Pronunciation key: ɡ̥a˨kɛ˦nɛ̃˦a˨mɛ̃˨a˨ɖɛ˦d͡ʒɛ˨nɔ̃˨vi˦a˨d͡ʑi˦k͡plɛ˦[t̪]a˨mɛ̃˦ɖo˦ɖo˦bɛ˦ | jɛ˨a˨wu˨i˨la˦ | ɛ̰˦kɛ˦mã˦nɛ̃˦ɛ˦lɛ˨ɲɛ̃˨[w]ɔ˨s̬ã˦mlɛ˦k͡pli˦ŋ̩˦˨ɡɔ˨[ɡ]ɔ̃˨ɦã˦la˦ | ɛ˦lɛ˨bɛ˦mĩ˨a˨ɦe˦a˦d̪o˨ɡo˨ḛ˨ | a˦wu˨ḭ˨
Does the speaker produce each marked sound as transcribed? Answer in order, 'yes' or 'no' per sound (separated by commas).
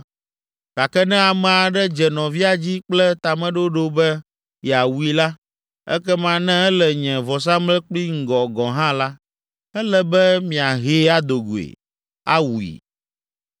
yes, no, yes